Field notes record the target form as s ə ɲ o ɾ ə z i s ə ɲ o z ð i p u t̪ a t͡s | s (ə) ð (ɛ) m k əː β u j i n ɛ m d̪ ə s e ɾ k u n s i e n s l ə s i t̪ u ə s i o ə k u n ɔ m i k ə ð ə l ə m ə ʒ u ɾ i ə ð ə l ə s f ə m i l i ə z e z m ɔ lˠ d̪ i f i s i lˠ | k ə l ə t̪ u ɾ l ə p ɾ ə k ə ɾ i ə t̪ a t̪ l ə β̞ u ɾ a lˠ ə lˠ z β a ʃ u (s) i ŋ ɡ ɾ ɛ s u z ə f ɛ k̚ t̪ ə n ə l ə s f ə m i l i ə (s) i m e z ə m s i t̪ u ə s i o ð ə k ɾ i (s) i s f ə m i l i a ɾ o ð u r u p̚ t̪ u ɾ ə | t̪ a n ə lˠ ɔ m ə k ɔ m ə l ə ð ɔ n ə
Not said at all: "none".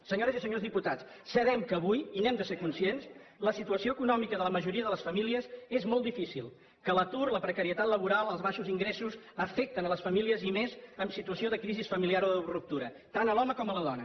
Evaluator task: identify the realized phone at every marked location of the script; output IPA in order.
ə, ɛ, z, z, z

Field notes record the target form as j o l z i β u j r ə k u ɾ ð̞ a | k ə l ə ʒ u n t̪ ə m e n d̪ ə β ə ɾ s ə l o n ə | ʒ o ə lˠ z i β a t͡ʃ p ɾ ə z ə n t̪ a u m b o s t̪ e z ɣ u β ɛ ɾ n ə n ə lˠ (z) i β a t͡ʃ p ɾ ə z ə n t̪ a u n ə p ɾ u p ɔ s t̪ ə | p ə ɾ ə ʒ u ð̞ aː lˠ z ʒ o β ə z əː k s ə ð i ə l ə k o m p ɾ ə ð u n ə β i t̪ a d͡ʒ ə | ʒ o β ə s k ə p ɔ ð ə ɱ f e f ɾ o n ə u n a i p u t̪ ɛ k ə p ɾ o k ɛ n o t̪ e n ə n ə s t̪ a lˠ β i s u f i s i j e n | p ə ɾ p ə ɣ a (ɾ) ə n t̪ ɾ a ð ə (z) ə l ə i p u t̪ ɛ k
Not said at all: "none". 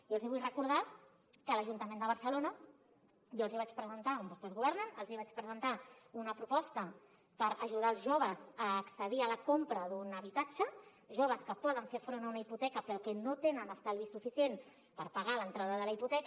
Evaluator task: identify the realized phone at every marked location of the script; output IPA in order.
z, l, ð

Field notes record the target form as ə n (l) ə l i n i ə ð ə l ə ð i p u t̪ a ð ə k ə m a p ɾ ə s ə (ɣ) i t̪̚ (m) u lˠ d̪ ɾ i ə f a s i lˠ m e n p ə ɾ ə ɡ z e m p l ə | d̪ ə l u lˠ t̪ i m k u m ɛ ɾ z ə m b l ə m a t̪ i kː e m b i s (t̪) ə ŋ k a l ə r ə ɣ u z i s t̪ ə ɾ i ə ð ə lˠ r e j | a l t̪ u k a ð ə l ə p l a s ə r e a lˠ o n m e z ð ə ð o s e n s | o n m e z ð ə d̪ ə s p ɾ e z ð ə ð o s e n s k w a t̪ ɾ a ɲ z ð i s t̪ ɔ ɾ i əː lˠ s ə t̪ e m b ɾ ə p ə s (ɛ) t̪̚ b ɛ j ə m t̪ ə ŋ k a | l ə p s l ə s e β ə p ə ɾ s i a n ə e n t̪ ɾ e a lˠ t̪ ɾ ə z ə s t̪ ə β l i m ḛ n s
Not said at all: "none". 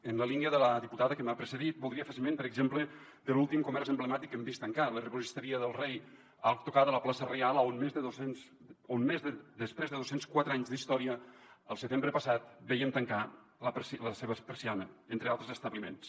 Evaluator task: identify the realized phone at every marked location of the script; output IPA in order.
l, ð, b, t̪, a

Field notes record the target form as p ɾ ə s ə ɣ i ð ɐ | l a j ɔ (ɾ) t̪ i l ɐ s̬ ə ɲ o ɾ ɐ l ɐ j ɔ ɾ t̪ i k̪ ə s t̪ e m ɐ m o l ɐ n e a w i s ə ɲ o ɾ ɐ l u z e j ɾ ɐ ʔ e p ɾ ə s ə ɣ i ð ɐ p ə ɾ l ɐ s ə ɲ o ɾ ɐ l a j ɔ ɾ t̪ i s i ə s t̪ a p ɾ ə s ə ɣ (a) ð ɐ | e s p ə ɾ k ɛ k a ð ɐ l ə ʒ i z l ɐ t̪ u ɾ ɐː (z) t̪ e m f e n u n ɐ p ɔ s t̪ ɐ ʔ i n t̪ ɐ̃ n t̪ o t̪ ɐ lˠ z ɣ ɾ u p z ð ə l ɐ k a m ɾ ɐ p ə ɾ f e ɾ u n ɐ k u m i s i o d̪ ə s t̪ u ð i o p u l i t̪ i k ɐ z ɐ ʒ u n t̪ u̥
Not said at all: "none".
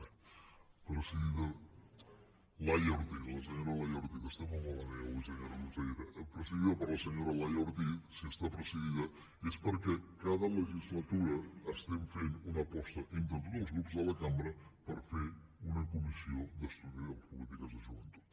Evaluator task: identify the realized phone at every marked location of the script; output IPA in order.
ɾ, i, s

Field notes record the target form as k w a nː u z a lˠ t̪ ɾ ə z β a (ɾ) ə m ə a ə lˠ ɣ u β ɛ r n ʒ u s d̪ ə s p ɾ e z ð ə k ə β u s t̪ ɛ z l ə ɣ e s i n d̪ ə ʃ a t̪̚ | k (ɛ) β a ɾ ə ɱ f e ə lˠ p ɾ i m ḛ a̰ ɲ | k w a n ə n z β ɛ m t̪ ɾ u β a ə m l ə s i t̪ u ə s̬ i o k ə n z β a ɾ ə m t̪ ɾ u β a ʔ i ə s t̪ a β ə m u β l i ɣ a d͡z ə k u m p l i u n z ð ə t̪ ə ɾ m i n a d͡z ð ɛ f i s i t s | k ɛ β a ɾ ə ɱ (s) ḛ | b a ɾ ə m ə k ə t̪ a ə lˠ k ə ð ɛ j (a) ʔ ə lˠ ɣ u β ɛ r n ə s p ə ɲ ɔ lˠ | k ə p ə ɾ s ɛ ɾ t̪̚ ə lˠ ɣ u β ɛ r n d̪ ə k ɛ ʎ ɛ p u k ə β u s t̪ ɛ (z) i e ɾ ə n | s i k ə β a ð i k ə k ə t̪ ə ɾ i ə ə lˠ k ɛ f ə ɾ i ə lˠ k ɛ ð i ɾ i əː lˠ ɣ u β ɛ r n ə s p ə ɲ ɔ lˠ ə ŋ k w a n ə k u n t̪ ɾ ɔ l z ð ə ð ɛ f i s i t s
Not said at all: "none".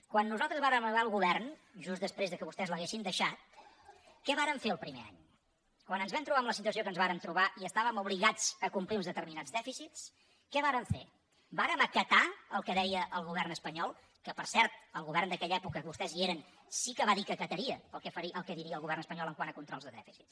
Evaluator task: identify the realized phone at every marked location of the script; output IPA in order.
ɾ, ɛ, f, ə, z

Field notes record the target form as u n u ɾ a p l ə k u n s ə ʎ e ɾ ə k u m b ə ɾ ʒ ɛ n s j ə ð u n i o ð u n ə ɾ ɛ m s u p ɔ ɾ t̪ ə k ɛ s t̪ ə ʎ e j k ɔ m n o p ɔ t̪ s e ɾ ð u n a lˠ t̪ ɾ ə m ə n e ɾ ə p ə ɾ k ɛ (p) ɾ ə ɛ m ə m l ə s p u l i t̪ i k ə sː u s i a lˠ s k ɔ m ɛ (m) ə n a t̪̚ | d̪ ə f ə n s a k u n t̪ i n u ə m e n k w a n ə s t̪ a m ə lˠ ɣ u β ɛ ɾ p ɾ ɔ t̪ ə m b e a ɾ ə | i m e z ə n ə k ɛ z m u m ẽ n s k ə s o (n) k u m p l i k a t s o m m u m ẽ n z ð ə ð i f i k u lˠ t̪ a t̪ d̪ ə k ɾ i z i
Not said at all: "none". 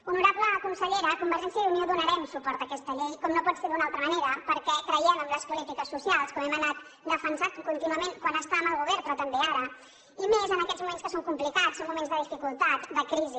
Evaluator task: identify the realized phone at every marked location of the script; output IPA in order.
k, m, ŋ

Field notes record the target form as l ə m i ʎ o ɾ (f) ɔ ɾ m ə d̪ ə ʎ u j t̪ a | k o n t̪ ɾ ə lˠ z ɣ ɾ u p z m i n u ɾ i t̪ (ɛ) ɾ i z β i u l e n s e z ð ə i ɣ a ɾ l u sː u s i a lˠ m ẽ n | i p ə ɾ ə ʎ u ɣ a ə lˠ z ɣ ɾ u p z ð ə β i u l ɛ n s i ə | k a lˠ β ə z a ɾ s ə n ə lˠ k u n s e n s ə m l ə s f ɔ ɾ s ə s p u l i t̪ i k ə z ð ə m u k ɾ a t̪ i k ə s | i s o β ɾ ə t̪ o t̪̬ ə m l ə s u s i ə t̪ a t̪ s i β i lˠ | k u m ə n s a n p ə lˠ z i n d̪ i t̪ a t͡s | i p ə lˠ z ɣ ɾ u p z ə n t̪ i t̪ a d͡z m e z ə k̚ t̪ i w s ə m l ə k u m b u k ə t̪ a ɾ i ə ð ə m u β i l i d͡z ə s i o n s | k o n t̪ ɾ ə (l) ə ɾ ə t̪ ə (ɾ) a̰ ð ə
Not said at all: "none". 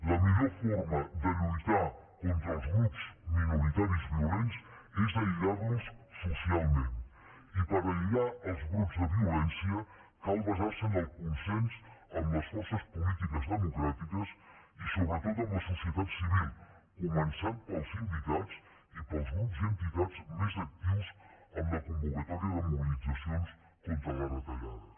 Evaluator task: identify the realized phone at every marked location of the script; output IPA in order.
f, a, l, ʎ

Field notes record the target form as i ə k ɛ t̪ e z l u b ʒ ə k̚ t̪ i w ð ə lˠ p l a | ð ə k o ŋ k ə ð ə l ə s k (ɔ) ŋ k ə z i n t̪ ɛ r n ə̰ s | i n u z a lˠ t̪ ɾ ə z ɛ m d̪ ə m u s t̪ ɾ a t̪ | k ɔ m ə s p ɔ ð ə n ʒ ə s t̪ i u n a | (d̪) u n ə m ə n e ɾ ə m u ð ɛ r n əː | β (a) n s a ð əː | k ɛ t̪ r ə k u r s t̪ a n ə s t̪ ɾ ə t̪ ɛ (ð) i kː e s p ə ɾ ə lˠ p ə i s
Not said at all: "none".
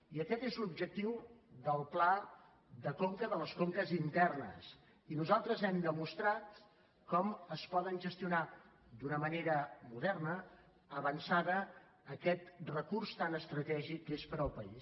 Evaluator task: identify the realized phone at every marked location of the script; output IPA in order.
o, d̪, ə, ʒ

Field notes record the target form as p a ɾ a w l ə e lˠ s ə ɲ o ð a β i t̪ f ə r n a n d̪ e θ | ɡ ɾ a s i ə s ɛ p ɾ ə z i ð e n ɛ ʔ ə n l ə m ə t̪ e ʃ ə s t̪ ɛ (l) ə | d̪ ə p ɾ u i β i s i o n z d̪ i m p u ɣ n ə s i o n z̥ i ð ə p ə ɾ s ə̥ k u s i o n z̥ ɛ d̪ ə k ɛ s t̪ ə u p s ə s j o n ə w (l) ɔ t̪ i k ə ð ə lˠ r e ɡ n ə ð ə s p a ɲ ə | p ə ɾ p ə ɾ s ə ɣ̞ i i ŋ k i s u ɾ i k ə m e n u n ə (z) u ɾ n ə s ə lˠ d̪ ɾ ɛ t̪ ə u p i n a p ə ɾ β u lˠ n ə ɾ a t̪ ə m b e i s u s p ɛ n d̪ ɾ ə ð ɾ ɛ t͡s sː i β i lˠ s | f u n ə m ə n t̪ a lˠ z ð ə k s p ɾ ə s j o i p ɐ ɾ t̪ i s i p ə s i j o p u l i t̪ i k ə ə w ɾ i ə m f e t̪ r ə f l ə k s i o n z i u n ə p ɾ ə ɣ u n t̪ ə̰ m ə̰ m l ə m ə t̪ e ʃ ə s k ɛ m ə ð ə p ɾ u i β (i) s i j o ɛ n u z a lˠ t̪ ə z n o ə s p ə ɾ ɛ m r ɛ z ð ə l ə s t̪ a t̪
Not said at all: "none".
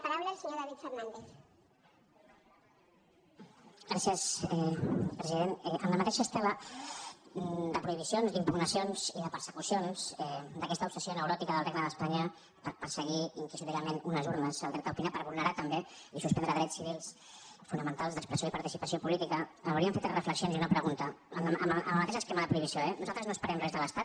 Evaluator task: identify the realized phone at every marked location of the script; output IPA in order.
l, ɾ, z, i

